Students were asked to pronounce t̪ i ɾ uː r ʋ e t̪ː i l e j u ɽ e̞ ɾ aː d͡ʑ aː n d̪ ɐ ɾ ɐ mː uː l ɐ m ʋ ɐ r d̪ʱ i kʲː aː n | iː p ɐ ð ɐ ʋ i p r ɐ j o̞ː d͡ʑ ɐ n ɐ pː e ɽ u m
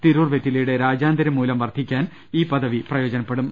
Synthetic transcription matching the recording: t̪ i ɾ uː r ʋ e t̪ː i l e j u ɽ e̞ ɾ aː d͡ʑ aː n d̪ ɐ ɾ ɐ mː uː l ɐ m ʋ ɐ r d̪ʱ i kʲː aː n | iː p ɐ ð ɐ ʋ i p r ɐ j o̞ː d͡ʑ ɐ n ɐ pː e ɽ u m